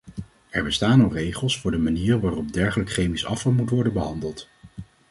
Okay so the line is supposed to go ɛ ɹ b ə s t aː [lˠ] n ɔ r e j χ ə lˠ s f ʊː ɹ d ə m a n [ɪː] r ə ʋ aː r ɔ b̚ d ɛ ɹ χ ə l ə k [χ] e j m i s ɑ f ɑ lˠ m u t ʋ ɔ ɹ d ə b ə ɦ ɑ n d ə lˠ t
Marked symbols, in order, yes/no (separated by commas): no, no, yes